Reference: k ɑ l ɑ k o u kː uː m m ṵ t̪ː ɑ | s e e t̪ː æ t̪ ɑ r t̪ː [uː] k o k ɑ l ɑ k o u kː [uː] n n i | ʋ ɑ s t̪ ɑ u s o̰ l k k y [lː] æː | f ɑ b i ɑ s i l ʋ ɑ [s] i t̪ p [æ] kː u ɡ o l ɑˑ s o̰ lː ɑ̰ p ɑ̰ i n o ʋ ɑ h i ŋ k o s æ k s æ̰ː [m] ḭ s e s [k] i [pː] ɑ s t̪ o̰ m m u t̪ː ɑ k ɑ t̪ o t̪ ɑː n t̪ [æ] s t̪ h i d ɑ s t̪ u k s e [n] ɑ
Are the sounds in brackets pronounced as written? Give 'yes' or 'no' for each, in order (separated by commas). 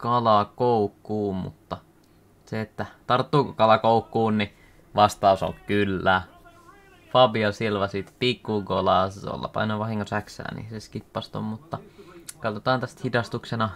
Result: yes, yes, yes, yes, no, no, yes, yes, yes, yes